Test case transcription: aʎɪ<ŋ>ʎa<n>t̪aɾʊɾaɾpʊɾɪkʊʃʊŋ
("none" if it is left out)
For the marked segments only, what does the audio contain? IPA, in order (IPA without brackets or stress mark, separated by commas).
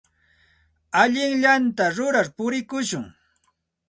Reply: ŋ, n